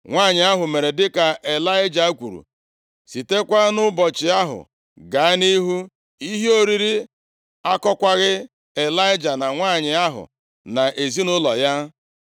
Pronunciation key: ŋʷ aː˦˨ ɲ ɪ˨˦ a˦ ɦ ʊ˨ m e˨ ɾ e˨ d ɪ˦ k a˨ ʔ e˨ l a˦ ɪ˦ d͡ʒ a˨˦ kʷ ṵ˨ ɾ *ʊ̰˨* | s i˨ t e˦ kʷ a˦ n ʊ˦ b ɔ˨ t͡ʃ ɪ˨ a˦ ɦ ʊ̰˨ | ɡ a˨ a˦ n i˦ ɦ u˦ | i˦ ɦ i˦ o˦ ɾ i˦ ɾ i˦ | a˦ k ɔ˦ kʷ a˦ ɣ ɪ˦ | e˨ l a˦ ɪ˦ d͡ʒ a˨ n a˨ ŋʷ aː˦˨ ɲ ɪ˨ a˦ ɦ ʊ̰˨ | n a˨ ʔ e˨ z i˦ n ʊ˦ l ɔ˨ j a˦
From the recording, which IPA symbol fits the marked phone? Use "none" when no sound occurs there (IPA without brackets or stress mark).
ṵ˨